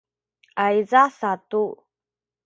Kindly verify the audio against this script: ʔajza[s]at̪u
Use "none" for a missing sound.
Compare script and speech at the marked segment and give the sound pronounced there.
s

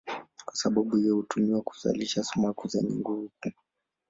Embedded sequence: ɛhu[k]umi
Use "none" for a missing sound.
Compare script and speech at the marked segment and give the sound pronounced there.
t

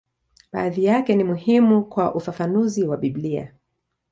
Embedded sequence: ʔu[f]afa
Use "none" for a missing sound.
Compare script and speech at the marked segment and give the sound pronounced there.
f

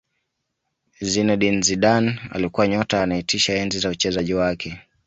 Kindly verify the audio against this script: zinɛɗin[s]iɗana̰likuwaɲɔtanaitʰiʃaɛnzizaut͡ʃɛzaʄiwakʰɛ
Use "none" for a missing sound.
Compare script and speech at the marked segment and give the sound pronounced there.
z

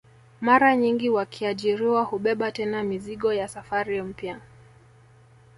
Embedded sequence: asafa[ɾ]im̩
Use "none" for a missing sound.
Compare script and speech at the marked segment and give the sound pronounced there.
ɾ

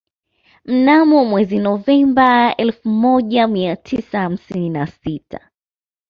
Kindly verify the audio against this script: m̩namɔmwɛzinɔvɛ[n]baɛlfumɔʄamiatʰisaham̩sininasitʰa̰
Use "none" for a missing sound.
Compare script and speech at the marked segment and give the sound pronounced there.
m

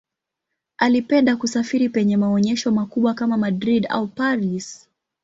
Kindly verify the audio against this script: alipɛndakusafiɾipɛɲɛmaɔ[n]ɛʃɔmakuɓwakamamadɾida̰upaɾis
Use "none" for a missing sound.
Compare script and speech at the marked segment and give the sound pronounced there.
ɲ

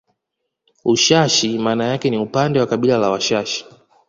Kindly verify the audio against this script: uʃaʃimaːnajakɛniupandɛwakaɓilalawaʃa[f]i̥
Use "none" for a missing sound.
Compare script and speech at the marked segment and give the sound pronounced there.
ʃ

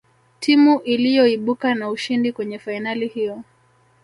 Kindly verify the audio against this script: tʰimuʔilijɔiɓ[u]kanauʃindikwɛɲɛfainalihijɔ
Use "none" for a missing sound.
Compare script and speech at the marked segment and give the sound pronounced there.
u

